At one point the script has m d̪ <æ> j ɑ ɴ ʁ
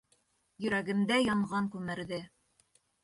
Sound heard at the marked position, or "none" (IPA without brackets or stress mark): æ